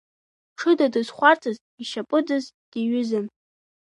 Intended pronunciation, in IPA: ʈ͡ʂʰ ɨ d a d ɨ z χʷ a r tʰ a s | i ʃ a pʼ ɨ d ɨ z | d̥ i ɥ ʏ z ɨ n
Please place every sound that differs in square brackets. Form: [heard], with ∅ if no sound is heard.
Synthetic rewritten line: ʈ͡ʂʰ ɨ d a d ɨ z χʷ a r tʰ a [z] | i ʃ a pʼ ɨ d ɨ z | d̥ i ɥ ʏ z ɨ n

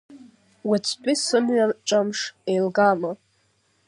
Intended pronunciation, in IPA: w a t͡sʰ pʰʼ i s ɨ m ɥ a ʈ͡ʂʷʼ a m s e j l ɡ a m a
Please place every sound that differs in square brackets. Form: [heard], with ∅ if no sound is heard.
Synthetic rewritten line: w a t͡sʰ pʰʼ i s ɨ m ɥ a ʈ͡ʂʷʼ a m [ʂ] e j l ɡ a m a

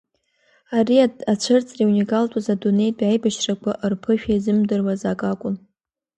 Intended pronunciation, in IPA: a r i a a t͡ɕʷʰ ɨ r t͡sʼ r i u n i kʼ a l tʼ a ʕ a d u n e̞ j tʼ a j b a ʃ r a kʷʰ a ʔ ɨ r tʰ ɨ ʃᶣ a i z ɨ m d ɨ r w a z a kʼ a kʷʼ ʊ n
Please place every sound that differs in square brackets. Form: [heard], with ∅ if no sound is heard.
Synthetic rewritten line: a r i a a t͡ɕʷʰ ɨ r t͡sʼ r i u n i kʼ a l tʼ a [z] a d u n e̞ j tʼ a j b a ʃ r a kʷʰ a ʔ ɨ r [pʰ] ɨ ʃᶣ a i z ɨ m d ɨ r w a z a kʼ a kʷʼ ʊ n

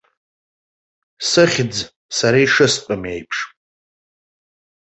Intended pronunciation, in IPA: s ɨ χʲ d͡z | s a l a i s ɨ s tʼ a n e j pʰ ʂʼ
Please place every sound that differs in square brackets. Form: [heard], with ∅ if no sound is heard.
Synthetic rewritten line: s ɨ χʲ d͡z | s a [ɾ] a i [ʂ] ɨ s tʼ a [m] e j pʰ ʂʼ

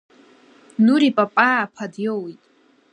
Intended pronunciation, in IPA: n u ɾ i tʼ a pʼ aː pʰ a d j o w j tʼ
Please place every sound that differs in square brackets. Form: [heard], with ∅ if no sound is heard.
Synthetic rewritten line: n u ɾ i [pʼ] a pʼ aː pʰ a d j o w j tʼ

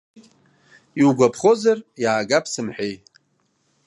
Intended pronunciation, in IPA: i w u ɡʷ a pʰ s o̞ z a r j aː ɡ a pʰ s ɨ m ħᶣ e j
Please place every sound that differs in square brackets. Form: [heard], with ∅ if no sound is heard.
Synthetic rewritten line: i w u ɡʷ a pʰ [χ] o̞ z a r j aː ɡ a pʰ s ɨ m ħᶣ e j

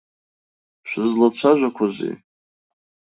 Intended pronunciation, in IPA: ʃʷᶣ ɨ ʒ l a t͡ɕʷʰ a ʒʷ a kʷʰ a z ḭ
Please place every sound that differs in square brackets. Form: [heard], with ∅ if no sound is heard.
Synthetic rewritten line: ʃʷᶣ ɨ [z] l a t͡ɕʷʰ a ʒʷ a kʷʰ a z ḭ

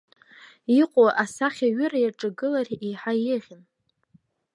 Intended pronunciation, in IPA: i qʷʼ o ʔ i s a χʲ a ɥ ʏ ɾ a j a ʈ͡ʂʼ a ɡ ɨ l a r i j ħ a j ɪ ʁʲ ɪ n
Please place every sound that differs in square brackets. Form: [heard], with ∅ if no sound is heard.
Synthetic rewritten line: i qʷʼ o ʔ [a] s a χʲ a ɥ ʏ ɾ a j a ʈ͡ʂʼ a ɡ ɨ l a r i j ħ a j ɪ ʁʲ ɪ n

